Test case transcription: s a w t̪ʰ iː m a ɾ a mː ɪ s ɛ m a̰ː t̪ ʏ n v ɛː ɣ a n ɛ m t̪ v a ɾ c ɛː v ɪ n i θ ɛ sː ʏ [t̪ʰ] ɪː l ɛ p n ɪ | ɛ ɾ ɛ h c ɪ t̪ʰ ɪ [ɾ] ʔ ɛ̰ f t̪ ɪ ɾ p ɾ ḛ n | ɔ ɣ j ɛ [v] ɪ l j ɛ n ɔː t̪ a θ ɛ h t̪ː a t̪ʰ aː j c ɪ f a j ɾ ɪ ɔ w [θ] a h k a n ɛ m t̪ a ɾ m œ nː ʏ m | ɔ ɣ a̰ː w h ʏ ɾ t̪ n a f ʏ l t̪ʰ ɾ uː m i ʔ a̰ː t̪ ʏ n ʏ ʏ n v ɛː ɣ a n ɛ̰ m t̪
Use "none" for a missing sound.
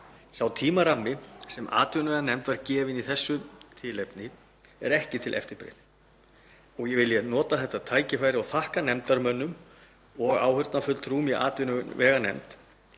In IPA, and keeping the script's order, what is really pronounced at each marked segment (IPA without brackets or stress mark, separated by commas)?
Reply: t̪ʰ, l, v, θ